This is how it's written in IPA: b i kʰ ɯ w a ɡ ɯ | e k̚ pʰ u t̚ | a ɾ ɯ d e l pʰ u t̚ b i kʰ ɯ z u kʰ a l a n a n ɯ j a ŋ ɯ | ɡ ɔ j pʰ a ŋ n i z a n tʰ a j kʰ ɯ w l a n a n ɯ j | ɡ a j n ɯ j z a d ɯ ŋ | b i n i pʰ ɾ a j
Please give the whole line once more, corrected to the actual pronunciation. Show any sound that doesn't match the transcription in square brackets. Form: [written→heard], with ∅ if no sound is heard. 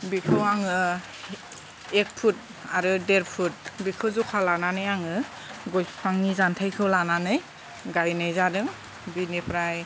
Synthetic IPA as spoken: b i kʰ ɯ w a [ɡ→ŋ] ɯ | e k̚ pʰ u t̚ | a ɾ ɯ d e [l→ɾ] pʰ u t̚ b i kʰ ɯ z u kʰ a l a n a n ɯ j a ŋ ɯ | ɡ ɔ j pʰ a ŋ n i z a n tʰ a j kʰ ɯ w l a n a n ɯ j | ɡ a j n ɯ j z a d ɯ ŋ | b i n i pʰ ɾ a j

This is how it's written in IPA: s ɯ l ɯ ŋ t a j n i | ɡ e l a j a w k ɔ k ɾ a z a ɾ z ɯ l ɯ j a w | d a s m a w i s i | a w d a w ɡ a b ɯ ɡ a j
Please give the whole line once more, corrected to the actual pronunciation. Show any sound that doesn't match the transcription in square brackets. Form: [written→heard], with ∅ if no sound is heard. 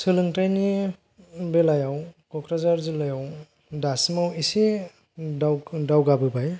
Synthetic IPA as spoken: s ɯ l ɯ ŋ t a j n i | [ɡ→b] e l a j a w k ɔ k ɾ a z a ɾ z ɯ l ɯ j a w | d a s m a w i s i | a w d a w ɡ a b ɯ [ɡ→b] a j

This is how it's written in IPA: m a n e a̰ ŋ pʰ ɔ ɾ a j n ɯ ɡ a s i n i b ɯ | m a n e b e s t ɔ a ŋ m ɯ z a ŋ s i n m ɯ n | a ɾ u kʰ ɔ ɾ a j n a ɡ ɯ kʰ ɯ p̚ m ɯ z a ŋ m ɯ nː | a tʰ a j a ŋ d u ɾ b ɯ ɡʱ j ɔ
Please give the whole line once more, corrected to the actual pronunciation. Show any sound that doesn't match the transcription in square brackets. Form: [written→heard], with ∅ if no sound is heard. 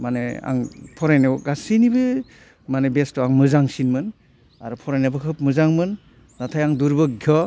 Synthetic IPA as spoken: m a n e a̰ ŋ pʰ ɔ ɾ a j n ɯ ɡ a s i n i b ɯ | m a n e b e s t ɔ a ŋ m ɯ z a ŋ s i n m ɯ n | a ɾ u [kʰ→pʰ] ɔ ɾ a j n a [ɡ→b] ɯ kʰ ɯ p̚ m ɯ z a ŋ m ɯ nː | a tʰ a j a ŋ d u ɾ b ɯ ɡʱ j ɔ

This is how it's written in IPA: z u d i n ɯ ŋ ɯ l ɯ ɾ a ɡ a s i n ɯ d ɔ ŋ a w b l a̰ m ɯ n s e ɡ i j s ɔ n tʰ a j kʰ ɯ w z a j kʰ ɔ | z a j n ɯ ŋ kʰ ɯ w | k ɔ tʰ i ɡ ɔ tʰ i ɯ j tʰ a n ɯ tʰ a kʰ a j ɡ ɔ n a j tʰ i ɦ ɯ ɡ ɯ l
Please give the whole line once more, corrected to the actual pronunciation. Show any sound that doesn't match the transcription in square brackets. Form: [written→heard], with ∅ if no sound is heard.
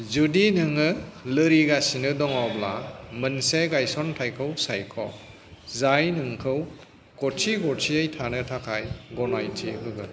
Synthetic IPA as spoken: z u d i n ɯ ŋ ɯ l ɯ ɾ [a→i] ɡ a s i n ɯ d ɔ ŋ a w b l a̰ m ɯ n s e ɡ [i→a] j s ɔ n tʰ a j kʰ ɯ w [z→s] a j kʰ ɔ | z a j n ɯ ŋ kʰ ɯ w | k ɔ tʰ i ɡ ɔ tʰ i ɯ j tʰ a n ɯ tʰ a kʰ a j ɡ ɔ n a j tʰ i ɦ ɯ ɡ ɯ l

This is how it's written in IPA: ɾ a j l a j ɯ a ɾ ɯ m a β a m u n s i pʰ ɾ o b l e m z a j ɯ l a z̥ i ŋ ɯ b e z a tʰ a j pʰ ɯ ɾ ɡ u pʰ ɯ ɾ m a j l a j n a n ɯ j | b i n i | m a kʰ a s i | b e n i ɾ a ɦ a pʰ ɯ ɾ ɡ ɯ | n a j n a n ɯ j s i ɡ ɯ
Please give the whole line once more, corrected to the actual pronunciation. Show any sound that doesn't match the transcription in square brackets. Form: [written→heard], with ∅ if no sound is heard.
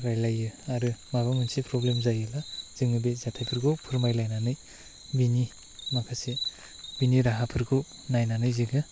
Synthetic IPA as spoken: ɾ a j l a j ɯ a ɾ ɯ m a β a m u n s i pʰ ɾ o b l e m z a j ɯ l a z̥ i ŋ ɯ b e z a tʰ a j pʰ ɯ ɾ ɡ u pʰ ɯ ɾ m a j l a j n a n ɯ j | b i n i | m a kʰ a s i | b [e→i] n i ɾ a ɦ a pʰ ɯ ɾ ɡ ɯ | n a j n a n ɯ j [s→z] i ɡ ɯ

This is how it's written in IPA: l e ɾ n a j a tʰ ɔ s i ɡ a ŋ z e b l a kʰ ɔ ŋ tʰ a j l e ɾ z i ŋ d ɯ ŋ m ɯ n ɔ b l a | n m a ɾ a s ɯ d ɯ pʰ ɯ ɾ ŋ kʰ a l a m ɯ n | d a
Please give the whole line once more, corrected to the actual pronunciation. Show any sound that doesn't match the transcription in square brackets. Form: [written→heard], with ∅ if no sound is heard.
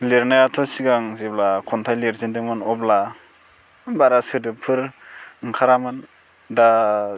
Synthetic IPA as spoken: l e ɾ n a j a tʰ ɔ s i ɡ a ŋ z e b l a kʰ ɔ [ŋ→n] tʰ a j l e ɾ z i [ŋ→n] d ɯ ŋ m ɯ n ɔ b l a | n [m→b] a ɾ a s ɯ d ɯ pʰ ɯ ɾ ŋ kʰ a [l→ɾ] a m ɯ n | d a

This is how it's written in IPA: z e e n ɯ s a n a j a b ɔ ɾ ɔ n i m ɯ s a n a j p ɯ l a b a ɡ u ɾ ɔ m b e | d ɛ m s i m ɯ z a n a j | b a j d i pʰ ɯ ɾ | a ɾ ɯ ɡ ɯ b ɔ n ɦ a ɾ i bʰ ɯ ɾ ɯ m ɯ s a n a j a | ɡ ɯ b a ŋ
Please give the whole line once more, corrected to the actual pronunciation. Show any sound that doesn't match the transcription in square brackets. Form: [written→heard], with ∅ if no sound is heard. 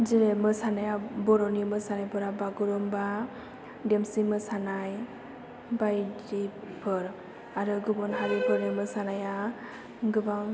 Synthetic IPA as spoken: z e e [n→m] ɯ s a n a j a b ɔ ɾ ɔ n i m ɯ s a n a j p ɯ [l→ɾ] a b a ɡ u ɾ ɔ m b [e→a] | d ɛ m s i m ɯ [z→s] a n a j | b a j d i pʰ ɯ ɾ | a ɾ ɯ ɡ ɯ b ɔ n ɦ a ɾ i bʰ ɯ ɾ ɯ m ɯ s a n a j a | ɡ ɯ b a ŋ

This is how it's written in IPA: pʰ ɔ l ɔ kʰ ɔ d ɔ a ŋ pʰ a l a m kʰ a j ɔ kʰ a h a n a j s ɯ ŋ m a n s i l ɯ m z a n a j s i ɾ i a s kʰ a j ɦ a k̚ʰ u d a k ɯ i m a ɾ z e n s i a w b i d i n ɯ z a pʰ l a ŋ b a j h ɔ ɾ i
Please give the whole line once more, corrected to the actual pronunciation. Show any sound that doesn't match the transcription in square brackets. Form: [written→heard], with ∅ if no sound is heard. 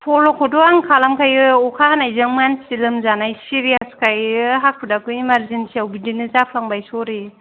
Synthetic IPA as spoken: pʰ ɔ l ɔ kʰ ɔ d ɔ a ŋ [pʰ→kʰ] a l a m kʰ a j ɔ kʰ a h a n a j [s→z] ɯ ŋ m a n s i l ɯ m z a n a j s i ɾ i a s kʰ a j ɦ a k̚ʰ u d a k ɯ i m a ɾ z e n s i a w b i d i n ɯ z a pʰ l a ŋ b a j [h→s] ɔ ɾ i

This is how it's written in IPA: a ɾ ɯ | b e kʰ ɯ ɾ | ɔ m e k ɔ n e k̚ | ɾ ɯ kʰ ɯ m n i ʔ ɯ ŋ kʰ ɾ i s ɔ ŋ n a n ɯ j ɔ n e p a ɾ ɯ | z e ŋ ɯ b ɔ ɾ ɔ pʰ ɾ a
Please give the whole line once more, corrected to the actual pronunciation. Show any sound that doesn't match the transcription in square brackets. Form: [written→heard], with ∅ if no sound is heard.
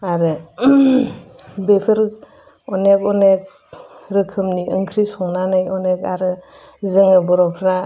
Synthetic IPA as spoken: a ɾ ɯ | b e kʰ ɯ ɾ | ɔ [m→n] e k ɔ n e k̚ | ɾ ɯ kʰ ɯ m n i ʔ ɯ ŋ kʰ ɾ i s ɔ ŋ n a n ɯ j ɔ n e [p→k] a ɾ ɯ | z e ŋ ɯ b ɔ ɾ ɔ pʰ ɾ a

